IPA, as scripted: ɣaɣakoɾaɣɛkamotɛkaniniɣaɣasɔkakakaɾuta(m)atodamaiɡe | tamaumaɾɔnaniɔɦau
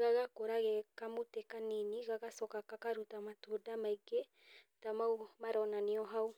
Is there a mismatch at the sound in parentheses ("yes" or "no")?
no